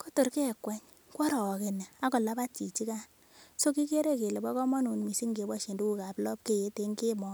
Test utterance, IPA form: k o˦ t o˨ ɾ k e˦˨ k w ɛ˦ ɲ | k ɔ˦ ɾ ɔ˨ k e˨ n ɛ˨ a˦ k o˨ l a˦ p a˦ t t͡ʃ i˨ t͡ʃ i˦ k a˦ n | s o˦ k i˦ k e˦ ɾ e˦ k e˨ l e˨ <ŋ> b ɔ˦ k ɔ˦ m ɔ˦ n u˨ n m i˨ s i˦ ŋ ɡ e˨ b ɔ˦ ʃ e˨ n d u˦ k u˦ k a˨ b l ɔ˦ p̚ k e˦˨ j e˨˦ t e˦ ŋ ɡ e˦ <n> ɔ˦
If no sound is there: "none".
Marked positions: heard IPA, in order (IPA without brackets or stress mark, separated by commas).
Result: none, m